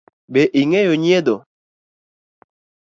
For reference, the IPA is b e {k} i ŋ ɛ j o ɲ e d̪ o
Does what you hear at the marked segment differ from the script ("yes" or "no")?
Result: yes